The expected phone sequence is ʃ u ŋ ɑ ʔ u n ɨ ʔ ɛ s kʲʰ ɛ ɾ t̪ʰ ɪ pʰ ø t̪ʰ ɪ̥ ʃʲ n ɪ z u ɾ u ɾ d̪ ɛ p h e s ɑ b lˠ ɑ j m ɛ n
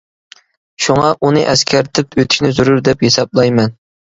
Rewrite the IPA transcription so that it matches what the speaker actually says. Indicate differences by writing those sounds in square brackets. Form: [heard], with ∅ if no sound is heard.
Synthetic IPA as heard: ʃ u ŋ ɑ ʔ u n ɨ ʔ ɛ s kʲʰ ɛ ɾ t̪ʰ ɪ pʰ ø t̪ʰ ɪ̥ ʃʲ n ɪ z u ɾ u ɾ d̪ ɛ p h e s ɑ b lˠ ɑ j m ɛ n